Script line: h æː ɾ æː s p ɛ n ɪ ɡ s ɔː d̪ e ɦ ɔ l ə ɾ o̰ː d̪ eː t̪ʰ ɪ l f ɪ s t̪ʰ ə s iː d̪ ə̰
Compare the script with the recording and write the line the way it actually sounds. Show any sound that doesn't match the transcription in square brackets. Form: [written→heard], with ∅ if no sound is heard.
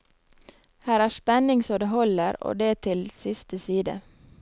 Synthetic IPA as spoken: h æː ɾ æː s p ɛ n ɪ [ɡ→ŋ] s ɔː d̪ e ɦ ɔ l ə ɾ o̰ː d̪ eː t̪ʰ ɪ l [f→s] ɪ s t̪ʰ ə s iː d̪ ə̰